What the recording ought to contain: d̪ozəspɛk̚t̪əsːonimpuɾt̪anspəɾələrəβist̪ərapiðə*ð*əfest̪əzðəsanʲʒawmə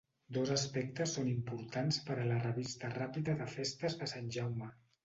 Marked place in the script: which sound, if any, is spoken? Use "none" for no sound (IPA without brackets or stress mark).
ð